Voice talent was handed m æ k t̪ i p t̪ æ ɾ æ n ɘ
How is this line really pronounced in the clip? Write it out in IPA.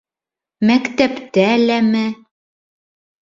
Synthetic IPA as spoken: m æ k t̪ æ p t̪ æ l æ m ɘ